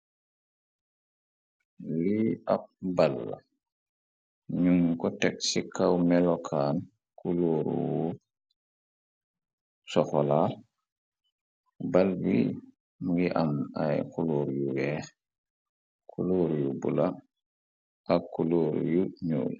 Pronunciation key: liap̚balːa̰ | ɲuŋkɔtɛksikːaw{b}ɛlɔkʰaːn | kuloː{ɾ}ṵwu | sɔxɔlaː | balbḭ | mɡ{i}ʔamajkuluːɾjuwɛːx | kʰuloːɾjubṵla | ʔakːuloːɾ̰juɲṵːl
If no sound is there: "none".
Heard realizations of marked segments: m, ɾ, i

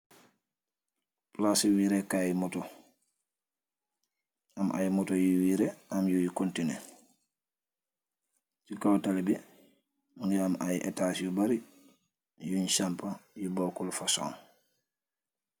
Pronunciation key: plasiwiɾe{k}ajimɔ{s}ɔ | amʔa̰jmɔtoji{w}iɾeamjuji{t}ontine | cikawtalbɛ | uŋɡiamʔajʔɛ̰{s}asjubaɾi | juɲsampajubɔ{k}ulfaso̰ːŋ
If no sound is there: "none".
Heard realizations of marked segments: k, t, w, k, t, k

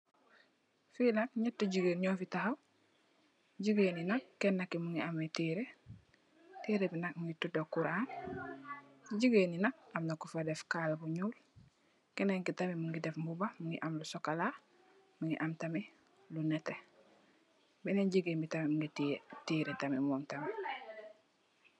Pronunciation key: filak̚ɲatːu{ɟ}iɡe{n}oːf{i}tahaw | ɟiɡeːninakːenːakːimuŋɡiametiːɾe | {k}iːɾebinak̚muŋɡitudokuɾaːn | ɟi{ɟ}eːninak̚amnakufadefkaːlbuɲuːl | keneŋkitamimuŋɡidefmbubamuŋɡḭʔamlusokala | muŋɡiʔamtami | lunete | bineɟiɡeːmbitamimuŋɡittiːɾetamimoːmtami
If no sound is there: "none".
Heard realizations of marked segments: ɟ, ɲ, i, t, ɡ

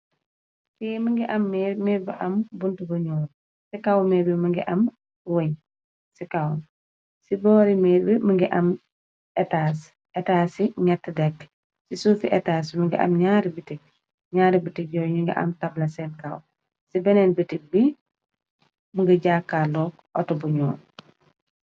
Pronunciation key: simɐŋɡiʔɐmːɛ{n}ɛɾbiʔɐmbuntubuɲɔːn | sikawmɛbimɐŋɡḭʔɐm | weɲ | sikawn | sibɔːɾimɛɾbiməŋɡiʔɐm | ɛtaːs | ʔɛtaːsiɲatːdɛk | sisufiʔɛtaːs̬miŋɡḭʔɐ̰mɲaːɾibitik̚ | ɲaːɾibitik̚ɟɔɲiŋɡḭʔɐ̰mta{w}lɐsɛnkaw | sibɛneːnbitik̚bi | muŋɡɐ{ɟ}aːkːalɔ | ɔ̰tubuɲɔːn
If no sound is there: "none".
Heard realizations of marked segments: m, b, ɟ

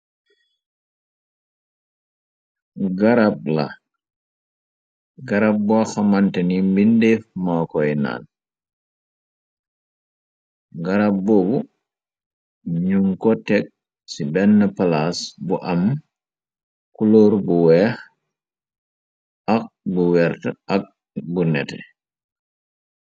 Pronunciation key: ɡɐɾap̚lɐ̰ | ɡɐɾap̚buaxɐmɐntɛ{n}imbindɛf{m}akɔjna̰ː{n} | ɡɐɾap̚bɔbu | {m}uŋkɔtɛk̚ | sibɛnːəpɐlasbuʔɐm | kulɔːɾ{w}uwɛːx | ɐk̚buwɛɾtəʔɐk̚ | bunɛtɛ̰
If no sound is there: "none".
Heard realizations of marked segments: n, m, n, ɲ, b

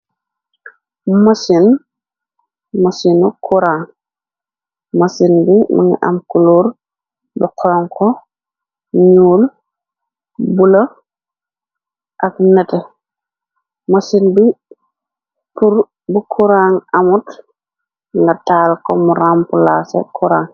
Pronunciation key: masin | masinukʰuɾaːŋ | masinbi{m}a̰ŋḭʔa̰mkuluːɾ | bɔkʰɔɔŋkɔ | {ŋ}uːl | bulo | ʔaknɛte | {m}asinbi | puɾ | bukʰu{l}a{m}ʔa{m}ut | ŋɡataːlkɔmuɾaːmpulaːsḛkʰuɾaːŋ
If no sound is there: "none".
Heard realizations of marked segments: m, ɲ, m, ɾ, ŋ, m

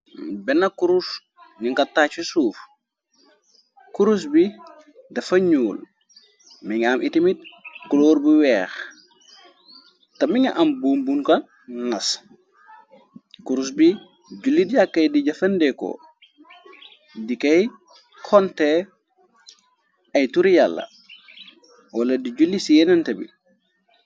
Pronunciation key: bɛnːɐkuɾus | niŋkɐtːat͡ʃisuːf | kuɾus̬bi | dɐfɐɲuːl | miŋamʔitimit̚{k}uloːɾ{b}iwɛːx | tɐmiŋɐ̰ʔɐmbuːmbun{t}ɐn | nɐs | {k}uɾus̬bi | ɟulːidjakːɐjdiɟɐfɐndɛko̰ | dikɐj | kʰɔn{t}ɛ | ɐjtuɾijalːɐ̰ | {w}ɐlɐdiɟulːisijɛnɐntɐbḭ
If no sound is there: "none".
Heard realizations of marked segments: k, b, k, k, t, w

